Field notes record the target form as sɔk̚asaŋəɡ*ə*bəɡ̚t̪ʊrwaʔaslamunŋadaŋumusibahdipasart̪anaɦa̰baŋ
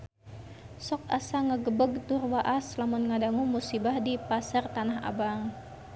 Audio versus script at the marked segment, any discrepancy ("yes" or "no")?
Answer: no